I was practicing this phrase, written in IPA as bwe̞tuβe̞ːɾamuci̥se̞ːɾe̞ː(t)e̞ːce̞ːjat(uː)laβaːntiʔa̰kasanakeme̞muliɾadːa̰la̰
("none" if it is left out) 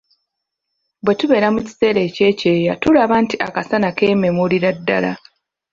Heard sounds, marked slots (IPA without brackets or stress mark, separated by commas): c, u